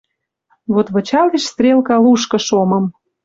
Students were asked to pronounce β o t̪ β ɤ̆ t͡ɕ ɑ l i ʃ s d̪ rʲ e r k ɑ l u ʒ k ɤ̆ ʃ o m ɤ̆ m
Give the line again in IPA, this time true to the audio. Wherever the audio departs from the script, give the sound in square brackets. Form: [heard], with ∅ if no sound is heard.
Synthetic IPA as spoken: β o t̪ β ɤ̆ t͡ɕ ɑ l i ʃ s [t̪] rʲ e [l] k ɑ l u [ʃ] k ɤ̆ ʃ o m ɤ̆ m